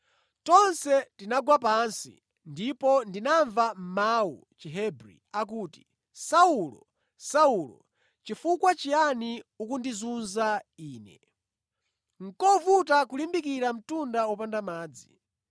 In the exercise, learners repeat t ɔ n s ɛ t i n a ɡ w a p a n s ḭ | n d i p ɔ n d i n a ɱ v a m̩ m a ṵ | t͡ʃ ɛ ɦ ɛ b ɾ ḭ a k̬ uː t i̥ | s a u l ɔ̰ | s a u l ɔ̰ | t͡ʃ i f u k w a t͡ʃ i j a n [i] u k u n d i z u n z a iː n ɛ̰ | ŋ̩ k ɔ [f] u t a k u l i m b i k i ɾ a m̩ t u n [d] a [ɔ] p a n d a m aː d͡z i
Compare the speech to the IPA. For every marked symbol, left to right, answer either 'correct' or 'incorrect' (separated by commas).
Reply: correct, incorrect, correct, correct